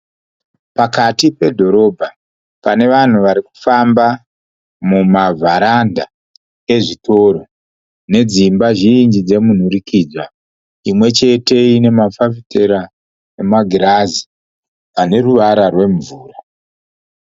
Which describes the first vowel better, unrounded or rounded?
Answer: unrounded